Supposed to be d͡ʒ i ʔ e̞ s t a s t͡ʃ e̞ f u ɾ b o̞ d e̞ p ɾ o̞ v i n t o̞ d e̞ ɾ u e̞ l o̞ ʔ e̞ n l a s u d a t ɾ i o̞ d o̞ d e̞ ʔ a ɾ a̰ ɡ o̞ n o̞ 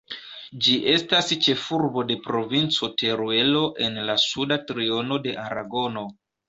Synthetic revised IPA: d͡ʒ i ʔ e̞ s t a s t͡ʃ e̞ f u ɾ b o̞ d e̞ p ɾ o̞ v i n t͡s o̞ t e̞ ɾ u e̞ l o̞ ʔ e̞ n l a s u d a t ɾ i o̞ n o̞ d e̞ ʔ a ɾ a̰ ɡ o̞ n o̞

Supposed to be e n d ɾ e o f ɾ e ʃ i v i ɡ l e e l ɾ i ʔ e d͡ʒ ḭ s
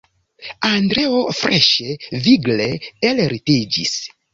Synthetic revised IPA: a n d ɾ e o f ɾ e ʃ e v i ɡ l e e l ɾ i t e d͡ʒ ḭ s

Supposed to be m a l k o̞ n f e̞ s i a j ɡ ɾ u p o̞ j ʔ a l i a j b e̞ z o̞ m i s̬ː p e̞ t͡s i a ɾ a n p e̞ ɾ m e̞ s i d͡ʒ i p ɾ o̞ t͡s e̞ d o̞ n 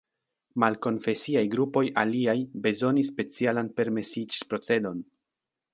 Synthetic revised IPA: m a l k o̞ n f e̞ s i a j ɡ ɾ u p o̞ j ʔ a l i a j b e̞ z o̞ n i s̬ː p e̞ t͡s i a l a n p e̞ ɾ m e̞ s i d͡ʒ i p ɾ o̞ t͡s e̞ d o̞ n

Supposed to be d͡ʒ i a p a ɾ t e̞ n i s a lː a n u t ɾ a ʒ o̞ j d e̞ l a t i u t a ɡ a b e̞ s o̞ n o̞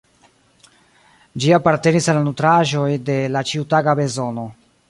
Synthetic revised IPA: d͡ʒ i a p a ɾ t e̞ n i s a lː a n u t ɾ a ʒ o̞ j d e̞ l a t͡ʃ i u t a ɡ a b e̞ z o̞ n o̞

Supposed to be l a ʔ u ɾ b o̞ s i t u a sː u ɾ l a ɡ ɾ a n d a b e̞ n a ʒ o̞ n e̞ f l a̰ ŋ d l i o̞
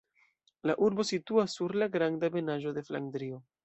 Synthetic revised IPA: l a ʔ u ɾ b o̞ s i t u a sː u ɾ l a ɡ ɾ a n d a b e̞ n a ʒ o̞ d e̞ f l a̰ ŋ d ɾ i o̞

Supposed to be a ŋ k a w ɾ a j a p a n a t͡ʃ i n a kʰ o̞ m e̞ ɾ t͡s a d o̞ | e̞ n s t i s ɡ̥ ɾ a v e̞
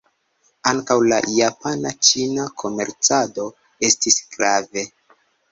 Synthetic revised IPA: a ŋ k a w l a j a p a n a t͡ʃ i n a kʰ o̞ m e̞ ɾ t͡s a d o̞ | e̞ s t i s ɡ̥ ɾ a v e̞

